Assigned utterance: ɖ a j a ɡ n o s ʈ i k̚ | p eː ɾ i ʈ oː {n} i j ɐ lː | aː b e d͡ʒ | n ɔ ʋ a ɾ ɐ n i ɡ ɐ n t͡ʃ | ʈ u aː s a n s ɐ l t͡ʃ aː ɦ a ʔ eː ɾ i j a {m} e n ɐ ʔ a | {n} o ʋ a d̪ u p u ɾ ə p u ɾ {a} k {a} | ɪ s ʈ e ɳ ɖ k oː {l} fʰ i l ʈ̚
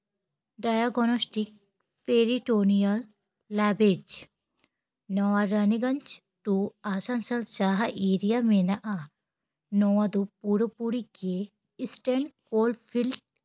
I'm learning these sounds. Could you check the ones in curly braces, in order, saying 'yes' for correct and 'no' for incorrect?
yes, yes, yes, no, no, yes

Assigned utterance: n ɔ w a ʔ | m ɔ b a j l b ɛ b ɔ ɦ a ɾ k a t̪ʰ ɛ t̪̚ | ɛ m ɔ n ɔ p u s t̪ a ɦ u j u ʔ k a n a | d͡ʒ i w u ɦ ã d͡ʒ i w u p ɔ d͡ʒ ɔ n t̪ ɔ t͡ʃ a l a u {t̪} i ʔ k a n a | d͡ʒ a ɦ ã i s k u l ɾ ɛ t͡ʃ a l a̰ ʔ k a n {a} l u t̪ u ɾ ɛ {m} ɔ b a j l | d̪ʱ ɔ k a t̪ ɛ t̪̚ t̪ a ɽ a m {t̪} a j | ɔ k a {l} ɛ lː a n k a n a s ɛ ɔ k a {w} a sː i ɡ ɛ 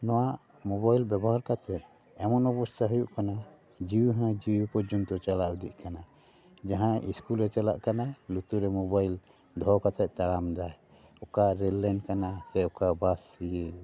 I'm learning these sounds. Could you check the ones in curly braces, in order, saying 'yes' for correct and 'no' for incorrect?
no, yes, yes, no, no, no

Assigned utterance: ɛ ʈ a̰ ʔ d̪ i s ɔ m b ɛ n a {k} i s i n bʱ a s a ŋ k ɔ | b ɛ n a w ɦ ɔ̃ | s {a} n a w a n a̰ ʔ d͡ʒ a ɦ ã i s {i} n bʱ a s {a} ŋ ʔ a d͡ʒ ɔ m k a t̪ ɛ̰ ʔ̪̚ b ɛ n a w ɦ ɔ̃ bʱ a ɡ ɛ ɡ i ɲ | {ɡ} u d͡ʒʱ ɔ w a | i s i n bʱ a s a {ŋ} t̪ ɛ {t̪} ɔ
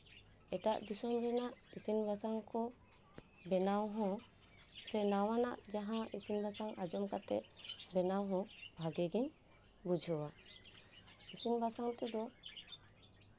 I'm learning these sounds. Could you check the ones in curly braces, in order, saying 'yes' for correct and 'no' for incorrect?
no, no, yes, yes, no, yes, no

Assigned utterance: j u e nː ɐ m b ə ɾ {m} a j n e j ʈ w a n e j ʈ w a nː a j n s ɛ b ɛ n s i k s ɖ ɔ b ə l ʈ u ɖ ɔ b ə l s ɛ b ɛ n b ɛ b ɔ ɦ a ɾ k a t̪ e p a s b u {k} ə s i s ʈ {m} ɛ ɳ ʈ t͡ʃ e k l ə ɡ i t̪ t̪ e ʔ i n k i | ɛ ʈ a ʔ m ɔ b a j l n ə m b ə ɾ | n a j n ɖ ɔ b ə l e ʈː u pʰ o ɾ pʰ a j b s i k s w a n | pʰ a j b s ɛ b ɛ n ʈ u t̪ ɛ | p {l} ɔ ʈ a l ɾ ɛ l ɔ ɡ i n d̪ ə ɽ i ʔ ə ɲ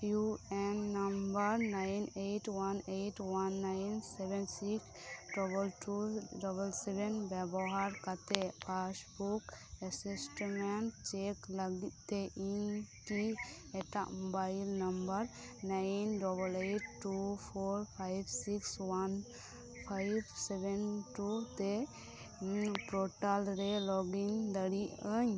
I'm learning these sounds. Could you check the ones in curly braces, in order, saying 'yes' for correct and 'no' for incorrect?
no, yes, yes, no

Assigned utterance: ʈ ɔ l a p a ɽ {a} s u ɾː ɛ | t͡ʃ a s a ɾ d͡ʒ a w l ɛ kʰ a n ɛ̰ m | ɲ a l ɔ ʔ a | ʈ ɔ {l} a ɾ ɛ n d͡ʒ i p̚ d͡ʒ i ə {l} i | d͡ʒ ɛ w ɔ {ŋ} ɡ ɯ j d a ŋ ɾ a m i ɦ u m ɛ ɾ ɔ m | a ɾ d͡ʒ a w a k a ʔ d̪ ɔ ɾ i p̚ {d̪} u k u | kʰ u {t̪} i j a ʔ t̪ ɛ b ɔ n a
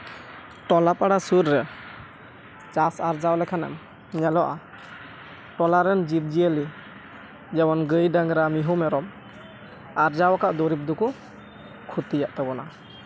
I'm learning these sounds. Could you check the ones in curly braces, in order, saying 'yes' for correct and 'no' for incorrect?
yes, yes, yes, no, yes, yes

